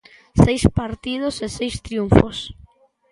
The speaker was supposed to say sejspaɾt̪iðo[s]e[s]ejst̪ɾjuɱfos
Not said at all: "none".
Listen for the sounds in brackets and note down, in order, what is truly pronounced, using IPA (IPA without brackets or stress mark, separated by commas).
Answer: s, s